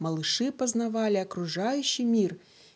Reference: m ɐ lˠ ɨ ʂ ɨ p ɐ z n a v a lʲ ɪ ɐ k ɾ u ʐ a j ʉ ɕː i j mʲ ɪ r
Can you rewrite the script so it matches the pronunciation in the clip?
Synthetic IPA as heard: m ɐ lˠ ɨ ʂ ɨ p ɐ z n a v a lʲ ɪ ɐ k ɾ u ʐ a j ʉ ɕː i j mʲ i r